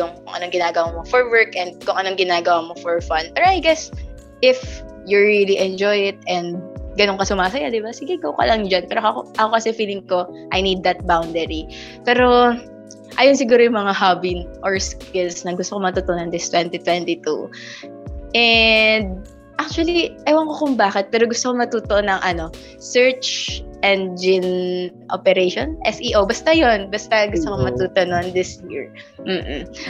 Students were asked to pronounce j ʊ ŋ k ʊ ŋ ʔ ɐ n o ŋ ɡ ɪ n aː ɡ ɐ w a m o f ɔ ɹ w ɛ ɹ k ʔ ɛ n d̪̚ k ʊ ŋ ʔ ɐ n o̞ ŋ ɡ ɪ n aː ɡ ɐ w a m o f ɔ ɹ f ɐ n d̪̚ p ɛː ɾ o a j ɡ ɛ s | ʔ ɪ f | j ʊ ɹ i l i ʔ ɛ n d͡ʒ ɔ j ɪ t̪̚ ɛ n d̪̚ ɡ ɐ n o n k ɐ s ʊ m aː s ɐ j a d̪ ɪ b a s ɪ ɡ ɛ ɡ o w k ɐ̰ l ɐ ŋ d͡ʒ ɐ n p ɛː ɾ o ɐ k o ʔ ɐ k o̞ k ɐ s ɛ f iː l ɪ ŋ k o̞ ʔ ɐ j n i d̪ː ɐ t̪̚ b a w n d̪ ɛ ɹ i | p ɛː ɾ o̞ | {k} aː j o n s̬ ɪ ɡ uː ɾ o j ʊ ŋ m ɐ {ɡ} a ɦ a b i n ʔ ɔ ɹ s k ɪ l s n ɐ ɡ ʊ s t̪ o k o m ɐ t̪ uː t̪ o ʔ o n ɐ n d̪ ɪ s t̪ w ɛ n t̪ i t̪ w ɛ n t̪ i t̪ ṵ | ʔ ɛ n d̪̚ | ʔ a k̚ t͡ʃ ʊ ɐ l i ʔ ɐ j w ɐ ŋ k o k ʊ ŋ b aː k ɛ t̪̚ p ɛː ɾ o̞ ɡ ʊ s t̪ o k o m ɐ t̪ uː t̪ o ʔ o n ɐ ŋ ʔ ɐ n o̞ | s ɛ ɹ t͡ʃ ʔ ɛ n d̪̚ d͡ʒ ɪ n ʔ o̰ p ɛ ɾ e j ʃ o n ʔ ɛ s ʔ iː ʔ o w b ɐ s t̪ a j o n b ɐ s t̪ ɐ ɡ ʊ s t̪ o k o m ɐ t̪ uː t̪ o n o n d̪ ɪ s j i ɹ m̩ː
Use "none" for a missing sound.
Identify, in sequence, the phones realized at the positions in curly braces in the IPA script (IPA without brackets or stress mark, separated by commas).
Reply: ʔ, ŋ